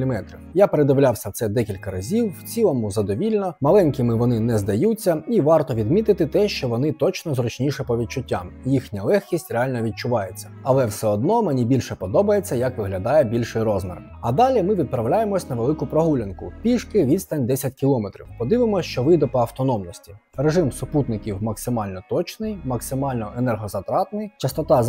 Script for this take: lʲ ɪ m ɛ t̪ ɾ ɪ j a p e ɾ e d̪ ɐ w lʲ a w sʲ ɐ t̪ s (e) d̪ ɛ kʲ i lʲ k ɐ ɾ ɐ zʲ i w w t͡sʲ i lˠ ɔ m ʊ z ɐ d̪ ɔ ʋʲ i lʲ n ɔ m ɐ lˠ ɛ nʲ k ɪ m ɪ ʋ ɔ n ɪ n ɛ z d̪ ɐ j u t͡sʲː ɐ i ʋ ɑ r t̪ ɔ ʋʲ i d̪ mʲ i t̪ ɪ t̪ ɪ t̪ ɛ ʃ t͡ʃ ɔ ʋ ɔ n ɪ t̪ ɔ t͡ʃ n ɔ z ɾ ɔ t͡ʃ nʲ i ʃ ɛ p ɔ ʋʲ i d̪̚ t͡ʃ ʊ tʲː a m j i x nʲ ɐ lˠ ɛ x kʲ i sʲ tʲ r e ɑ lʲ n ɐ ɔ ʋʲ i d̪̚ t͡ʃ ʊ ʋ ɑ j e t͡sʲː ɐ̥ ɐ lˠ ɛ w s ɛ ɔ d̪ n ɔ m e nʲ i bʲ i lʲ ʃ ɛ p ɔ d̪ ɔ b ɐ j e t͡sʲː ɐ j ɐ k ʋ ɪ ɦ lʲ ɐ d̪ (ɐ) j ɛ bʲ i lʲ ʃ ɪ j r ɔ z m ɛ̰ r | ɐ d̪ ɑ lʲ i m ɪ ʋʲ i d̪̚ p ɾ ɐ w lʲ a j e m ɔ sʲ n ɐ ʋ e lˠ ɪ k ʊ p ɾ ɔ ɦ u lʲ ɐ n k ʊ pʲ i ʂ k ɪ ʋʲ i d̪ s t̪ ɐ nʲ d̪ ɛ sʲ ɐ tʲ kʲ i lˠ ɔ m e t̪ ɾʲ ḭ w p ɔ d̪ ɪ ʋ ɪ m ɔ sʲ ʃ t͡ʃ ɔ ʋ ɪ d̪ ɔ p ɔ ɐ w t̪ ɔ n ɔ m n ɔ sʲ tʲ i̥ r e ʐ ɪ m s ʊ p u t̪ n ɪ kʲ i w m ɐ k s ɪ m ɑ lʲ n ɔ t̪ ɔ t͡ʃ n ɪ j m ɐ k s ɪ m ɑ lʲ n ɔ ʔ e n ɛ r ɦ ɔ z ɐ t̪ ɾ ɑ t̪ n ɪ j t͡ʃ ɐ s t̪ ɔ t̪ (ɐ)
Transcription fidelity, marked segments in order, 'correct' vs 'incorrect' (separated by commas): incorrect, incorrect, incorrect